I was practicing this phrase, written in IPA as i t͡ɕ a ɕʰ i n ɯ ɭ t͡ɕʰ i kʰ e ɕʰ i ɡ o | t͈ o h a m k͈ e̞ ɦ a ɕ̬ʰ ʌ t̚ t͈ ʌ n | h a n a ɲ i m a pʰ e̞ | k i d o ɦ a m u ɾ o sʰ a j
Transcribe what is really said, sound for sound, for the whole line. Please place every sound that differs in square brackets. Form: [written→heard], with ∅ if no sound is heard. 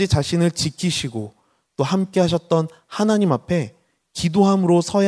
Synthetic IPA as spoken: i t͡ɕ a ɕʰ i n ɯ ɭ [t͡ɕʰ→t͡ɕ] i kʰ [e→i] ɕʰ i ɡ o | t͈ o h a m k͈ e̞ ɦ a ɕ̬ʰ ʌ t̚ t͈ ʌ n | h a n a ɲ i m a pʰ e̞ | k i d o ɦ a m [u→ɯ] ɾ o sʰ [a→ʌ] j